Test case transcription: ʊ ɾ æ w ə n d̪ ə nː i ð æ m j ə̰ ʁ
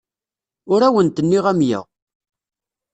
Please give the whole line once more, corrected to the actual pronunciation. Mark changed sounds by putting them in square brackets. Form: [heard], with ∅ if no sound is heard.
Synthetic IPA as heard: ʊ ɾ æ w ə n [t̪] ə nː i [ʁ] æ m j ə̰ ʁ